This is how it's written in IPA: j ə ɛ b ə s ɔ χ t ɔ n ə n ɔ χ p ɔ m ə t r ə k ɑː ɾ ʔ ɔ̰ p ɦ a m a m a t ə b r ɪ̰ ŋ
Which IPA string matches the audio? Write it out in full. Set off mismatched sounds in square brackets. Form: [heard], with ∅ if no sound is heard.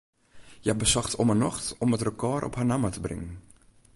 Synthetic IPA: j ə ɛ b ə s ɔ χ t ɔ [m] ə n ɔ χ [t] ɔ m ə t r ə k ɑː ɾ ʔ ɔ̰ p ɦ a [n] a m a t ə b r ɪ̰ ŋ

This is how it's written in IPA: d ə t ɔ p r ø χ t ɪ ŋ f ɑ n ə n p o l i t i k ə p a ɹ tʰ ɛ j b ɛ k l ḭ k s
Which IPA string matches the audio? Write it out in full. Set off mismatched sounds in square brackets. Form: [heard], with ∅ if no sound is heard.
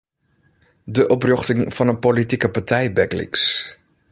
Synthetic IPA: d ə [ʔ] ɔ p r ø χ t ɪ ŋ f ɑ n ə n p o l i t i k ə p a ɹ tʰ ɛ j b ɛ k l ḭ k s

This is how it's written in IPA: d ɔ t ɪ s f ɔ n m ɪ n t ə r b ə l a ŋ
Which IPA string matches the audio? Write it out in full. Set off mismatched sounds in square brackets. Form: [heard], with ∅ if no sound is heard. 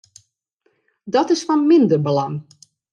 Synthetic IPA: d ɔ t ɪ s f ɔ n m ɪ n [d] ə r b ə l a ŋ

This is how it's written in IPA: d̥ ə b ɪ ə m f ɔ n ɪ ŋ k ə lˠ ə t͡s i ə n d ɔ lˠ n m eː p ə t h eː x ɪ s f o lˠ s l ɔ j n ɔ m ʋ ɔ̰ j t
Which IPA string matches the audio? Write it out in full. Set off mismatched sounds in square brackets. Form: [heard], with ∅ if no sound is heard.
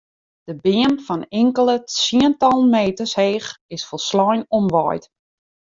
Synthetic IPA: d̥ ə b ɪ ə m f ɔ n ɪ ŋ k ə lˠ ə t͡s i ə n [t] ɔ lˠ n m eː [t] ə [s] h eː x ɪ s f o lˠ s l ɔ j n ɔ m ʋ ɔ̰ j t

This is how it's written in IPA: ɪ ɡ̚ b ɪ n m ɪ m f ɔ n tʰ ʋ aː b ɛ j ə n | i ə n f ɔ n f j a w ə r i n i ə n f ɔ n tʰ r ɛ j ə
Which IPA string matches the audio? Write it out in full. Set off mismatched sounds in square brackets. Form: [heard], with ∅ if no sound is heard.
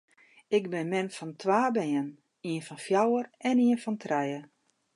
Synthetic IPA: ɪ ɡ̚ b ɪ n m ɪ [n] f ɔ n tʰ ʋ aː b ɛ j ə n | i ə n f ɔ n f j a w ə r [ɛ] n i ə n f ɔ n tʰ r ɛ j ə

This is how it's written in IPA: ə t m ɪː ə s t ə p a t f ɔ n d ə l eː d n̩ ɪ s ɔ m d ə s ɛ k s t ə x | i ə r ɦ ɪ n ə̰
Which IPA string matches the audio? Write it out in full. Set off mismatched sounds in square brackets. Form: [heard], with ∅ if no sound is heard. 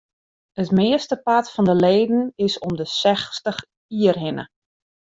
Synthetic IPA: ə t m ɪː ə s t ə p a t f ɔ n d ə l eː d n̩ ɪ s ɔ m d ə s ɛ [x] s t ə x | i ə r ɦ ɪ n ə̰

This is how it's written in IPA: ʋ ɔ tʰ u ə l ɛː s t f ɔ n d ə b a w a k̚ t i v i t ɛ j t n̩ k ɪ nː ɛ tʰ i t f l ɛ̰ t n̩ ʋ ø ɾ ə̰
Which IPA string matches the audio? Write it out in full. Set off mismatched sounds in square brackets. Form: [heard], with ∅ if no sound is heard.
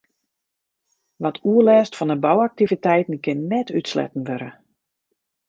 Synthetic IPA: ʋ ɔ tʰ u ə l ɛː s t f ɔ n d ə b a w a k̚ t i v i t ɛ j t n̩ k ɪ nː ɛ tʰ [y] t [s] l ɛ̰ t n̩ ʋ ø ɾ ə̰

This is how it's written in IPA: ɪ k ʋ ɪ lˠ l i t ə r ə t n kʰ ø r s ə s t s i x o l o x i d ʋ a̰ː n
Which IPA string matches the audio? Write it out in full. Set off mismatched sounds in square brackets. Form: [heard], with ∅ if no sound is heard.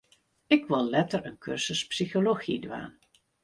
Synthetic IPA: ɪ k ʋ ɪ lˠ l [ɛ] t ə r ə [∅] n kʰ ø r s ə s [p] s i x o l o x i d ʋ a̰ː n

